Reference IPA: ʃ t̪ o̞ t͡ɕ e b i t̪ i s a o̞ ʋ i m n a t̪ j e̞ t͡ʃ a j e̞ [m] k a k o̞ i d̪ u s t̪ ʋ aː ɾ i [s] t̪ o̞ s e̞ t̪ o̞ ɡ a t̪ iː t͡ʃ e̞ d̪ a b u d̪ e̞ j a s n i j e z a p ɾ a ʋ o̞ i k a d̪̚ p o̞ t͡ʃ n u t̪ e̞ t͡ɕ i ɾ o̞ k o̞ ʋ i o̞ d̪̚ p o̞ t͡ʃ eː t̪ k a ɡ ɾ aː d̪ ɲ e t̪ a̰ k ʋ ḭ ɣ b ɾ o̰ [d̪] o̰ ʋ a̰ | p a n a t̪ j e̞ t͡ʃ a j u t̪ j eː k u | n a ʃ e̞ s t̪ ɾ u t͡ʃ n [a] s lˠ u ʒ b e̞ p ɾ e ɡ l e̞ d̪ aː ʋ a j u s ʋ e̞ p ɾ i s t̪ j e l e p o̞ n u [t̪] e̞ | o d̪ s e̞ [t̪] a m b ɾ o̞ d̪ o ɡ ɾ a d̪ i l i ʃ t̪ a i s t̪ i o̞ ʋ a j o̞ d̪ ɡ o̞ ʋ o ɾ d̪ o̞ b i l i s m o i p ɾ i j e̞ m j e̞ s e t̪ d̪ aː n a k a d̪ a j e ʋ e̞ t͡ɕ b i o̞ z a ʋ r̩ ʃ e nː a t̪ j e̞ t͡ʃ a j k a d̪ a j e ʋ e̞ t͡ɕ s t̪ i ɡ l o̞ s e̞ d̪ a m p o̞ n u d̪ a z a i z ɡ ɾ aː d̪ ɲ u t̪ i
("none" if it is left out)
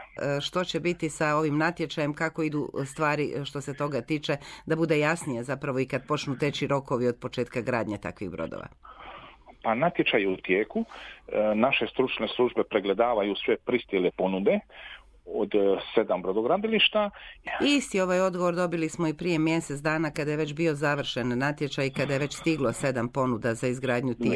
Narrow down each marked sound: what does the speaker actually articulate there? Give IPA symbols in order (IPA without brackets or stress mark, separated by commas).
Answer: m, ʃ, d̪, e, d̪, d̪